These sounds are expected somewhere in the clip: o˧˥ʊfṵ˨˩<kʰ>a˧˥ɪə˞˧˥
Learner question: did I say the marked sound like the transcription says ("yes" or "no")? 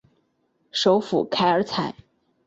yes